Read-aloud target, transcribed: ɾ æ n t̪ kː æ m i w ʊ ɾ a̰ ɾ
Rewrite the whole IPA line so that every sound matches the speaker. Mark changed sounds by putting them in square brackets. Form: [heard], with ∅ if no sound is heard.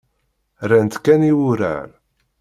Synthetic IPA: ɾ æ n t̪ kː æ [n] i w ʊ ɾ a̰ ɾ